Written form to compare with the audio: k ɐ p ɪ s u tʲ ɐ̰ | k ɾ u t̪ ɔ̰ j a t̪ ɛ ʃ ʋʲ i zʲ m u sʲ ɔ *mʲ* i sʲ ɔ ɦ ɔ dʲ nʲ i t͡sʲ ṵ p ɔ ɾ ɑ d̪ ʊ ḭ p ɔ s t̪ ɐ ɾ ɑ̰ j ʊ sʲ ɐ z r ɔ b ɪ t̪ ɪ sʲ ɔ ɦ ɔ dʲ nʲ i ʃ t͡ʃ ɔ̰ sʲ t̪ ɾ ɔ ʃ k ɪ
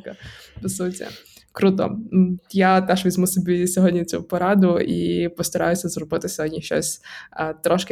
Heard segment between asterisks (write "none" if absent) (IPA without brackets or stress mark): bʲ